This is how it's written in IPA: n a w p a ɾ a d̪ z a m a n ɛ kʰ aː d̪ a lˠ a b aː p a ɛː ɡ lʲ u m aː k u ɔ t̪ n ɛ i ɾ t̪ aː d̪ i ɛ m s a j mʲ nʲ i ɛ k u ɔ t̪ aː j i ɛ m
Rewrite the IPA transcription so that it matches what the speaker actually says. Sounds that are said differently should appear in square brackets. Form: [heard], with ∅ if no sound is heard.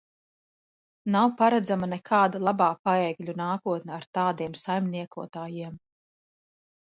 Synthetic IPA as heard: n a w p a ɾ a d̪ z a m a n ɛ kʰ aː d̪ a lˠ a b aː p a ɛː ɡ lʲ u [n] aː k u ɔ t̪ n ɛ [a] ɾ t̪ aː d̪ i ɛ m s a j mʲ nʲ i ɛ k u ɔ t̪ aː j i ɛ m